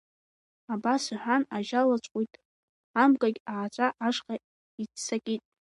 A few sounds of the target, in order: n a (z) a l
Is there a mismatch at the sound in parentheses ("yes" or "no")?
yes